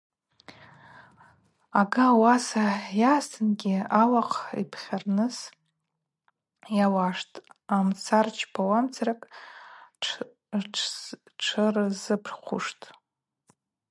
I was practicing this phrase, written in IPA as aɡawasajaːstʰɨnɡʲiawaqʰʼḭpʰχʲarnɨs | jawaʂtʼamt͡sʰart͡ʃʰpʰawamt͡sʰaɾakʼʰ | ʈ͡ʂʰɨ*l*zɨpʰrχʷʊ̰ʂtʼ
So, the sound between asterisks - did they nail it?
no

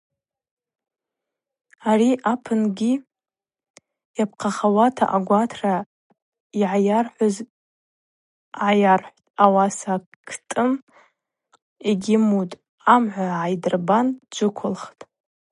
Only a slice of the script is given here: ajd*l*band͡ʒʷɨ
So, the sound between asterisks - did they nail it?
no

